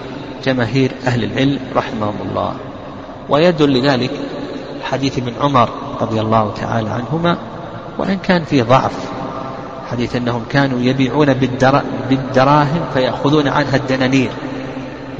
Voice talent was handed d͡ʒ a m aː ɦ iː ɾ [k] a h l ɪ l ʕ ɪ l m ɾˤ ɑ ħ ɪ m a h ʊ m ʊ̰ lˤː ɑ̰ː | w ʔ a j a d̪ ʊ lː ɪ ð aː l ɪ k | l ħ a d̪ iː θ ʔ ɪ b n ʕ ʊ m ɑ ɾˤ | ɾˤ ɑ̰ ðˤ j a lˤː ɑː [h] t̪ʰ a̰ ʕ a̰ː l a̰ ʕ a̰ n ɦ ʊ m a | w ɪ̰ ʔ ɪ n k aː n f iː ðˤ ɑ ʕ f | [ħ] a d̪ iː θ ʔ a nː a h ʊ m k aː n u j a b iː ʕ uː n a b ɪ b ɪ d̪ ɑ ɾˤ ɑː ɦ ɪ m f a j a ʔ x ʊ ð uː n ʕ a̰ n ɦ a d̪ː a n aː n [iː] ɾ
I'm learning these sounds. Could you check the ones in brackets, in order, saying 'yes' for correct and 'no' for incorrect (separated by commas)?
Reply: no, yes, yes, yes